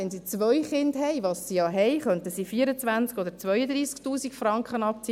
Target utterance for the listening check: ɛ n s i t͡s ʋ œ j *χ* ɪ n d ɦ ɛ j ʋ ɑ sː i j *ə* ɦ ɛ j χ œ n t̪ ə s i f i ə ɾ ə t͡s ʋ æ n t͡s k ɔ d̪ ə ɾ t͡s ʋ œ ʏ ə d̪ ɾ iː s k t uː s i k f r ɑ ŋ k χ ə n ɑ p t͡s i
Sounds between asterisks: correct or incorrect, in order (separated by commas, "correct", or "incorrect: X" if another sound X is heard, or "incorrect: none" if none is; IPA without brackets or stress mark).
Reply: correct, incorrect: ɑ